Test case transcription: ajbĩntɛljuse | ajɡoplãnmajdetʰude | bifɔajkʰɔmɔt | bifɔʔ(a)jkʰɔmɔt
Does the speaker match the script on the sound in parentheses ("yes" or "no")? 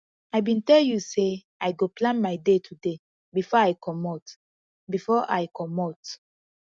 yes